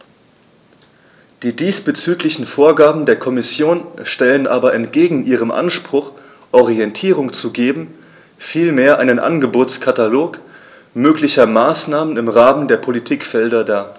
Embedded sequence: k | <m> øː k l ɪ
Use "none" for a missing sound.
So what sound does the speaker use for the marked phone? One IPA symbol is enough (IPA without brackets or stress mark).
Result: m